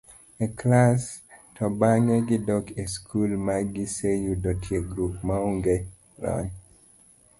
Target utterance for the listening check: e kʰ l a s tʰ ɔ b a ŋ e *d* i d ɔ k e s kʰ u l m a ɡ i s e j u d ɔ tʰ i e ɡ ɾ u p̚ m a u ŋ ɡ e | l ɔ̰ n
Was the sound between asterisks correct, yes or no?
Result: no